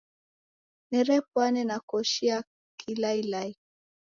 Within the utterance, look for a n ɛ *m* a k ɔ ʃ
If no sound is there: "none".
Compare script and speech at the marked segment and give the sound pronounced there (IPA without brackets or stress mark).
n